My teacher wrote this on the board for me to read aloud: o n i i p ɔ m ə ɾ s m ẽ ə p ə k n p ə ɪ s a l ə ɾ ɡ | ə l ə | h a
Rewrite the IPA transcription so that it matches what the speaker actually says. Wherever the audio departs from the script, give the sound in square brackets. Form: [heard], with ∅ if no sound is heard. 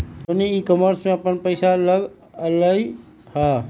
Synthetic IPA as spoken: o n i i [k] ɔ m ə ɾ s m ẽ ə p ə [∅] n p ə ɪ s a l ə [∅] ɡ | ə l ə | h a